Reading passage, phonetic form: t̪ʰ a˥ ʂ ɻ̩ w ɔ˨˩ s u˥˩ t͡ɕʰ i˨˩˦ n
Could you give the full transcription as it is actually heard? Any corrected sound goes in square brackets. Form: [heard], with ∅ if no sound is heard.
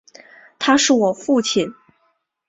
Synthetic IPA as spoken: t̪ʰ a˥ ʂ ɻ̩ w ɔ˨˩ [f] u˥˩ t͡ɕʰ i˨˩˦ n